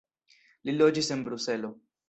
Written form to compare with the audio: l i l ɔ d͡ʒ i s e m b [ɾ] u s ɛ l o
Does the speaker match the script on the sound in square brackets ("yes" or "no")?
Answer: yes